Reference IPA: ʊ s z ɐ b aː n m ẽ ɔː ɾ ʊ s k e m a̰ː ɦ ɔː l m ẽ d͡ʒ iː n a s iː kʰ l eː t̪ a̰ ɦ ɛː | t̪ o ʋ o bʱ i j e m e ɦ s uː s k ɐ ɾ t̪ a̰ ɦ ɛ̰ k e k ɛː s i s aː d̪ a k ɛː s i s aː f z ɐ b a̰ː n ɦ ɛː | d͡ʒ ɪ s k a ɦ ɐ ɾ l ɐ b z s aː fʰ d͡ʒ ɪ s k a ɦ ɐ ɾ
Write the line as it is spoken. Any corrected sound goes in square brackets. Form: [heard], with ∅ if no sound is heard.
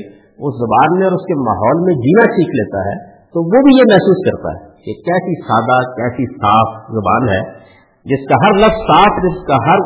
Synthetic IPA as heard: ʊ s z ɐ b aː n m ẽ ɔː ɾ ʊ s k e m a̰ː ɦ ɔː l m ẽ d͡ʒ iː n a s iː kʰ l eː t̪ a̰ ɦ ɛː | t̪ o ʋ o bʱ i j e m [ɛ] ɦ s uː s k ɐ ɾ t̪ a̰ ɦ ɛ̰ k e k ɛː s i s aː d̪ a k ɛː s i s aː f z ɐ b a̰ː n ɦ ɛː | d͡ʒ ɪ s k a ɦ ɐ ɾ l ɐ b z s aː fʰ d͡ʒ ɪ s k a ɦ ɐ ɾ